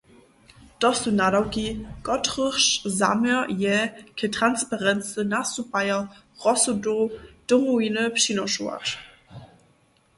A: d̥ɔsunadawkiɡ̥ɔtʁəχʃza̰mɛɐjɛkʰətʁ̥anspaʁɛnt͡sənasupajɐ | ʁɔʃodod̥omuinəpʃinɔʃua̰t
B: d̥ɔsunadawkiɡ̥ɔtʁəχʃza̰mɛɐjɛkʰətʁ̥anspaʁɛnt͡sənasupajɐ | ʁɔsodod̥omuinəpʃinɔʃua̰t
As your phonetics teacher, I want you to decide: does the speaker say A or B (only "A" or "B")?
B